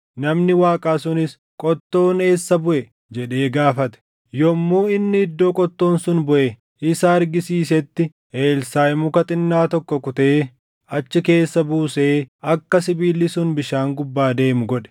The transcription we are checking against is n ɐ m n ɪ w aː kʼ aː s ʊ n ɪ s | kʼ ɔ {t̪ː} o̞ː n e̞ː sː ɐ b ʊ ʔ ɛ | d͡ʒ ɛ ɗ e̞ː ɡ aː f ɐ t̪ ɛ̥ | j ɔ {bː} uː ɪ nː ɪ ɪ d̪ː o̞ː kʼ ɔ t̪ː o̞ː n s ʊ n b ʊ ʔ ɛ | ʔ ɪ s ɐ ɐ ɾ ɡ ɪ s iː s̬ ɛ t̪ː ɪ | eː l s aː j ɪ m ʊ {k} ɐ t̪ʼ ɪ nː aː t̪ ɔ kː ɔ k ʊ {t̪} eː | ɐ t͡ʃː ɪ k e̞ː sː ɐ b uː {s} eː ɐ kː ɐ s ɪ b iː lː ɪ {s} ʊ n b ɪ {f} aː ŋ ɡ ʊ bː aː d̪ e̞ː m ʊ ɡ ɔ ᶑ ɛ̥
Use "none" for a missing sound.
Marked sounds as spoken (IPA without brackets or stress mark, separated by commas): t̪ː, mː, k, t̪, s, s, ʃ